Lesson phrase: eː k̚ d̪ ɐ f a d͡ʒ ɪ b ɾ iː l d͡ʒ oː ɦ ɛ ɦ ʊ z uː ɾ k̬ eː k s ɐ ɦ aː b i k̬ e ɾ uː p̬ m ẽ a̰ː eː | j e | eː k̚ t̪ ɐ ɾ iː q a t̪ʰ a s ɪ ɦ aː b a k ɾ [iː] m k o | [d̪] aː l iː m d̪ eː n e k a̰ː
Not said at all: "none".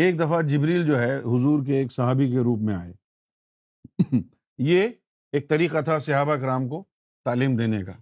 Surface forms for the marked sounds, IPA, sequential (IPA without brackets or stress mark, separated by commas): aː, t̪